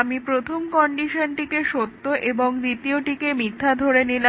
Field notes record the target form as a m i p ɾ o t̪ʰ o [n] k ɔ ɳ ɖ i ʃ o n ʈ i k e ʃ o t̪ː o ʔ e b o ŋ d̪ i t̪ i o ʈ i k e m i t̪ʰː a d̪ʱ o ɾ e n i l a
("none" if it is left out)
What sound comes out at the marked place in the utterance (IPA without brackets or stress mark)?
m